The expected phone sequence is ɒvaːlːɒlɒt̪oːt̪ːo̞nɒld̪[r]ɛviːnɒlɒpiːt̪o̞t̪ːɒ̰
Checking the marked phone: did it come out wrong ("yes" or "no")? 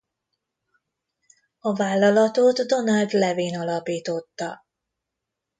yes